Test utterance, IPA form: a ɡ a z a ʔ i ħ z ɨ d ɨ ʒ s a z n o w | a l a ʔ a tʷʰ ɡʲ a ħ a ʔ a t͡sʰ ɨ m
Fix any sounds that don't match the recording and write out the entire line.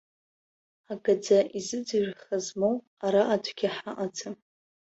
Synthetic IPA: a ɡ a d͡z a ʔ i z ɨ d͡z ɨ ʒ χ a z m o w | a ɾ a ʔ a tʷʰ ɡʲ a ħ a ʔ a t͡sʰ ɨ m